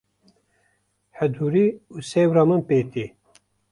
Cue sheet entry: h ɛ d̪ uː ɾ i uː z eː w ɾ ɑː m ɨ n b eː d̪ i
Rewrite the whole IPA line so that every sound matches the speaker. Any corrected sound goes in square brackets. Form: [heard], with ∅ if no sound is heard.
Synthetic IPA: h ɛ d̪ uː ɾ i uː [s] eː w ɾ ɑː m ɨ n [p] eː [t̪] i

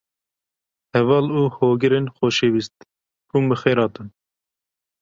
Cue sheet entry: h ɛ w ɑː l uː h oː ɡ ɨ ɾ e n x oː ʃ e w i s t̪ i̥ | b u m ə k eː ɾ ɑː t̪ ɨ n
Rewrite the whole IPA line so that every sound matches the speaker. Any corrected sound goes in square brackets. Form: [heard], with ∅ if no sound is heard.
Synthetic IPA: h ɛ [v] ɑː l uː h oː ɡ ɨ ɾ e n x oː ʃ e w i s t̪ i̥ | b u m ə [x] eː ɾ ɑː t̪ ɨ n

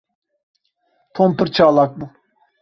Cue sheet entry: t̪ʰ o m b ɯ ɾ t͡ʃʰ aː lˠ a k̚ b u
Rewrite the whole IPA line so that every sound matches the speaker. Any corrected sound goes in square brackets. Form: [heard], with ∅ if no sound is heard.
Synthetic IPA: t̪ʰ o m [p] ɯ ɾ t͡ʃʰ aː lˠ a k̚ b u

